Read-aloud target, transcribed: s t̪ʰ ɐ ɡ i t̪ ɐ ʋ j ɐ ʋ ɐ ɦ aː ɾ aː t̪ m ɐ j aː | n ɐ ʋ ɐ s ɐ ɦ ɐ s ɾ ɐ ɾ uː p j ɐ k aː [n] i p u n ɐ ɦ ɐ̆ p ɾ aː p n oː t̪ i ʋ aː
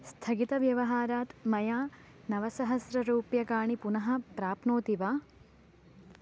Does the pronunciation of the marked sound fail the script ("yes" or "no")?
yes